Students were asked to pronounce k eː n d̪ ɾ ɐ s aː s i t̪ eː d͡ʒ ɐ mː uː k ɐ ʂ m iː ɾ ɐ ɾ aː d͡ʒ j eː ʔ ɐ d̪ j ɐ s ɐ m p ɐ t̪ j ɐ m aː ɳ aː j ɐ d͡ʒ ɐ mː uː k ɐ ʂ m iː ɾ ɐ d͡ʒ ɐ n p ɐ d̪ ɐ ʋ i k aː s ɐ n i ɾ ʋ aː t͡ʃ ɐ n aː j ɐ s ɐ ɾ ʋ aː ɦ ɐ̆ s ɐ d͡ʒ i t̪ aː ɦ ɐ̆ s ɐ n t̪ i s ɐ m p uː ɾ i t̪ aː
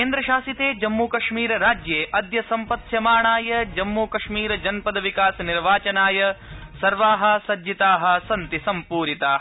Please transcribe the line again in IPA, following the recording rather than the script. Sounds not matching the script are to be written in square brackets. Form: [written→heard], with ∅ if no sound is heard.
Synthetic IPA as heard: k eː n d̪ ɾ ɐ [s→ʃ] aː s i t̪ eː d͡ʒ ɐ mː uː k ɐ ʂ m iː ɾ ɐ ɾ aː d͡ʒ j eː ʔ ɐ d̪ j ɐ s ɐ m p ɐ t̪ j ɐ m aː ɳ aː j ɐ d͡ʒ ɐ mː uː k ɐ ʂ m iː ɾ ɐ d͡ʒ ɐ n p ɐ d̪ ɐ ʋ i k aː s ɐ n i ɾ ʋ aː t͡ʃ ɐ n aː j ɐ s ɐ ɾ ʋ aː ɦ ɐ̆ s ɐ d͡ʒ i t̪ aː ɦ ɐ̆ s ɐ n t̪ i s ɐ m p uː ɾ i t̪ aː